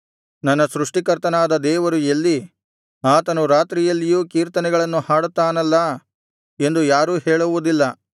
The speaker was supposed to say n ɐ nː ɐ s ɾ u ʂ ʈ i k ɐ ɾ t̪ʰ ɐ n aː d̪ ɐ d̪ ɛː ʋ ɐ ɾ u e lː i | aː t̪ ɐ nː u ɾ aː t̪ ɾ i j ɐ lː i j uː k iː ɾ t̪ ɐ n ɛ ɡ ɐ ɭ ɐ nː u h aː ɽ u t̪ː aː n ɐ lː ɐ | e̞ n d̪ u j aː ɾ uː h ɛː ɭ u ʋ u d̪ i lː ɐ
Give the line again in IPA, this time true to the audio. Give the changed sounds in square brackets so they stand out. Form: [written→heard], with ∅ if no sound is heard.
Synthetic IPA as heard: n ɐ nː ɐ s ɾ u ʂ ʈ i k ɐ ɾ [t̪ʰ→t̪] ɐ n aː d̪ ɐ d̪ ɛː ʋ ɐ ɾ u e lː i | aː t̪ ɐ [nː→n] u ɾ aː t̪ ɾ i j ɐ lː i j uː k iː ɾ t̪ ɐ n ɛ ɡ ɐ ɭ ɐ nː u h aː ɽ u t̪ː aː n ɐ lː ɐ | e̞ n d̪ u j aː ɾ uː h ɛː ɭ u ʋ u d̪ i lː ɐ